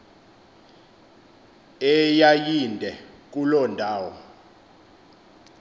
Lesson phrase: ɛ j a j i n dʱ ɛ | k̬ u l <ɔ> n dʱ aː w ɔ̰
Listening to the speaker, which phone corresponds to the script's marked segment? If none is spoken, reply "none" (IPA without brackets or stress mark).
ɔ